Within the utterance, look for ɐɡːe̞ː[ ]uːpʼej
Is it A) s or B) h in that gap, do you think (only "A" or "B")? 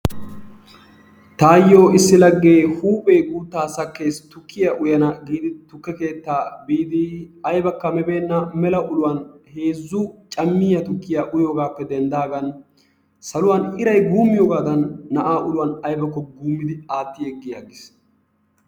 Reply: B